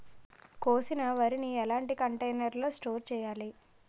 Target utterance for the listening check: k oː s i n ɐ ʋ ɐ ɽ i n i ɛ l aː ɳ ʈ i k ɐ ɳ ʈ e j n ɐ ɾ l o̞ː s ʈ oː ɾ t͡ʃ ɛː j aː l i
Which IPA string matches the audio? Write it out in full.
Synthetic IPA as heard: k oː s i n ɐ ʋ ɐ ɾ i n i ɛ l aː ɳ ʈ i k ɐ ɳ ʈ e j n ɐ ɾ l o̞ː s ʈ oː ɾ t͡ʃ ɛː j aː l i